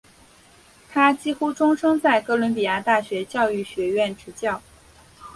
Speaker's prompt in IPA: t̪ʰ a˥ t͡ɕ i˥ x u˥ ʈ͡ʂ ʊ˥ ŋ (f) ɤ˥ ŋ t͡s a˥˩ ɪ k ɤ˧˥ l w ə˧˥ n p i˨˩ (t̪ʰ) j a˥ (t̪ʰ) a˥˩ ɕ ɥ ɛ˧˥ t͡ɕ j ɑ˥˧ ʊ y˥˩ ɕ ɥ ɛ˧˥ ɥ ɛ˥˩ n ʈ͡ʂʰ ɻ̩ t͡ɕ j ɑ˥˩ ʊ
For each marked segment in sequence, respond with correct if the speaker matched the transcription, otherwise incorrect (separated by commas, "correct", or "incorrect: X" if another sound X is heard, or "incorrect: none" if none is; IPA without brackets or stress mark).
incorrect: ʂ, incorrect: none, incorrect: t̪